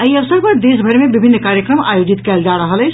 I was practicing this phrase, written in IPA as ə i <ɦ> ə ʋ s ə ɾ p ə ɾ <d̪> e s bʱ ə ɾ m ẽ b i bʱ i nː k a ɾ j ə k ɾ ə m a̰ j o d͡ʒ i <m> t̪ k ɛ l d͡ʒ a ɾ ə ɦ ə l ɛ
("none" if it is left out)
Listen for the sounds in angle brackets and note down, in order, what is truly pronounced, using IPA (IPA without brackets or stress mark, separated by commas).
none, d̪, none